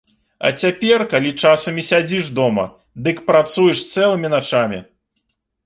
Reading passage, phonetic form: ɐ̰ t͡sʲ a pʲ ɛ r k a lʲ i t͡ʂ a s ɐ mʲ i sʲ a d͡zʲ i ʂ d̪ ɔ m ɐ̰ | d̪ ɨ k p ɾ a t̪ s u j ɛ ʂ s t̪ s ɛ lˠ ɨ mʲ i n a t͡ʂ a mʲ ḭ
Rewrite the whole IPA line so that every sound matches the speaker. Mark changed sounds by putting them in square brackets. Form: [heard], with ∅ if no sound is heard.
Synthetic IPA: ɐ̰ t͡sʲ a pʲ ɛ r k a lʲ i t͡ʂ a s ɐ mʲ i sʲ a d͡zʲ i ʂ d̪ ɔ m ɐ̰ | d̪ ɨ k p ɾ a t̪ s u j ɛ ʂ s t̪ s ɛ lˠ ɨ mʲ i n a t͡ʂ a mʲ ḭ